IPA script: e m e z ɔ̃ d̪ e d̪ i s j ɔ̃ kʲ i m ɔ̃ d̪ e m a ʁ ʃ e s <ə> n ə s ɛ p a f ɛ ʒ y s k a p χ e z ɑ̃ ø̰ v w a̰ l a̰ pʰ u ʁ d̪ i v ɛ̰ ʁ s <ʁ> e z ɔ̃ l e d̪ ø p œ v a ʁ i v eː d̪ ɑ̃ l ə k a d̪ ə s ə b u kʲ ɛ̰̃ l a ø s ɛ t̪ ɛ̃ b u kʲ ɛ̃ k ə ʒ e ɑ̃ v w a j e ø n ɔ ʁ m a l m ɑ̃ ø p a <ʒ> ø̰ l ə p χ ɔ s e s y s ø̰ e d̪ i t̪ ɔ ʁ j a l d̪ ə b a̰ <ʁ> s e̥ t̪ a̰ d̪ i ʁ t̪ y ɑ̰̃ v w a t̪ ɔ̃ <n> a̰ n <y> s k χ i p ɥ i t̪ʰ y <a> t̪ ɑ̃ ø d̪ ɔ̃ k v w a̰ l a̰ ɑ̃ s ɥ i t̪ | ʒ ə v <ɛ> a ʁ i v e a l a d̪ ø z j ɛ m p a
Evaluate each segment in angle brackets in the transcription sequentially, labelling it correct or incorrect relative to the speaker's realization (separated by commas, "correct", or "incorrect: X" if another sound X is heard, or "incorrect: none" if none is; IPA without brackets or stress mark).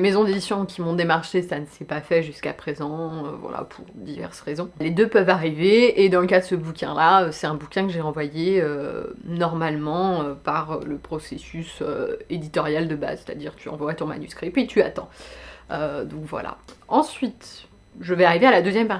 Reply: incorrect: a, correct, incorrect: ʁ, incorrect: z, incorrect: m, correct, correct, correct